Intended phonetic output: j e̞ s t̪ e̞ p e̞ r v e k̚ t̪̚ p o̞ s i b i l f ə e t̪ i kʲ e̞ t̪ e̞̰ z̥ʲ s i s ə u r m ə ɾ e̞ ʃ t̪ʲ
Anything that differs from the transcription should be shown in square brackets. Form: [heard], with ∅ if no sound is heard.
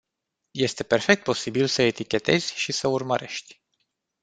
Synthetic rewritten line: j e̞ s t̪ e̞ p e̞ r [f] e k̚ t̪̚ p o̞ s i b i l [s] ə e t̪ i kʲ e̞ t̪ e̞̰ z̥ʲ [ʃ] i s ə u r m ə ɾ e̞ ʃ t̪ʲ